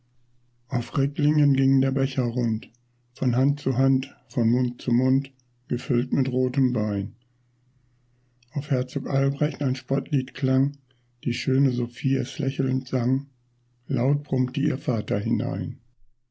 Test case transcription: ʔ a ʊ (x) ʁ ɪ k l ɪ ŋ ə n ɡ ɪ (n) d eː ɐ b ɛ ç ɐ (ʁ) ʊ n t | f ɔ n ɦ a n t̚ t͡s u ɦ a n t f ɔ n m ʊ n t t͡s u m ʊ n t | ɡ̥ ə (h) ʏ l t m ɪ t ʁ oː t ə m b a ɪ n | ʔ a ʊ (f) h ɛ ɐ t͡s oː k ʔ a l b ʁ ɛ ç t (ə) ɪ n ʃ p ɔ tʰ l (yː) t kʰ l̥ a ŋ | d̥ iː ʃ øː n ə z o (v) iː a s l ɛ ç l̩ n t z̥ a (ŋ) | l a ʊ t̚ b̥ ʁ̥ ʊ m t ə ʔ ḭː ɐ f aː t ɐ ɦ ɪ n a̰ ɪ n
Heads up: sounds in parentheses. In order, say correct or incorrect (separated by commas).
incorrect, incorrect, correct, incorrect, correct, incorrect, incorrect, incorrect, correct